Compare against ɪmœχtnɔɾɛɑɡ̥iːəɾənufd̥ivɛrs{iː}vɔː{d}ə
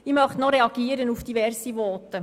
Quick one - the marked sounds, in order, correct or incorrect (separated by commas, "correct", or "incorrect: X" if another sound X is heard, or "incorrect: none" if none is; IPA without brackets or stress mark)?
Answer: incorrect: i, incorrect: t